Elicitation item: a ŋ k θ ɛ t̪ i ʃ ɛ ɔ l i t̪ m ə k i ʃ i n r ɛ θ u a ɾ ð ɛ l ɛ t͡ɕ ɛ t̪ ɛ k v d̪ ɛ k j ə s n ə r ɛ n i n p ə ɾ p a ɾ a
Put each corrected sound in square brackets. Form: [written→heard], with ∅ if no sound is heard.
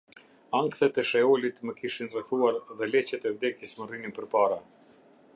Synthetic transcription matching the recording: a ŋ k θ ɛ t̪ [i→ɛ] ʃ ɛ ɔ l i t̪ m ə k i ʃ i n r ɛ θ u a ɾ ð ɛ l ɛ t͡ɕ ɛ t̪ ɛ [k→∅] v d̪ ɛ k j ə s [n→m] ə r [ɛ→i] n i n p ə ɾ p a ɾ a